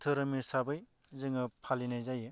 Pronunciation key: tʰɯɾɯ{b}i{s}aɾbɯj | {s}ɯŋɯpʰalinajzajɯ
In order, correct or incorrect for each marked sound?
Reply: incorrect: m, correct, incorrect: z

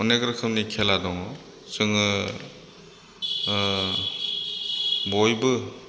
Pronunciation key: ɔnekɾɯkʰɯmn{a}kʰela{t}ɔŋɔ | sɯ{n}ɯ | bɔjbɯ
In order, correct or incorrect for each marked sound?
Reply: incorrect: i, incorrect: d, incorrect: ŋ

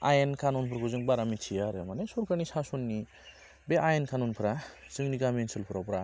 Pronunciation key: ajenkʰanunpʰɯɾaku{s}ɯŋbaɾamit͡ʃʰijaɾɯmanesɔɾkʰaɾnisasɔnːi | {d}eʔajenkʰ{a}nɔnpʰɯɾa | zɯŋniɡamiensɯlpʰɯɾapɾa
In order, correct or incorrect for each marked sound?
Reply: incorrect: z, incorrect: b, correct

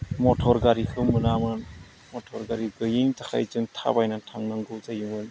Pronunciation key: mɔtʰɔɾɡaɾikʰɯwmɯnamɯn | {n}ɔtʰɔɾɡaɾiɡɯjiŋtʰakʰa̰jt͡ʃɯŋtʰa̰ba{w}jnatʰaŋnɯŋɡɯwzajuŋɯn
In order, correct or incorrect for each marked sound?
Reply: incorrect: m, incorrect: none

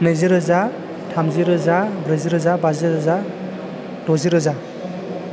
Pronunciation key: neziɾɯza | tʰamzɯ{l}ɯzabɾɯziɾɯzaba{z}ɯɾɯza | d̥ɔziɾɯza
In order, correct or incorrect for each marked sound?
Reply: incorrect: ɾ, correct

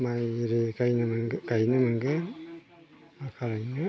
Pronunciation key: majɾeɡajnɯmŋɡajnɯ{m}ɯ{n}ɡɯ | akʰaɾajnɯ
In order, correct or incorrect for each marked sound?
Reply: correct, incorrect: ŋ

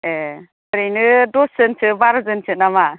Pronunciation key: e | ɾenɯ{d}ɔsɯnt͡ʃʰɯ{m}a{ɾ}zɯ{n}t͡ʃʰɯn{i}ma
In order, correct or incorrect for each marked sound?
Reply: correct, incorrect: b, correct, correct, incorrect: a

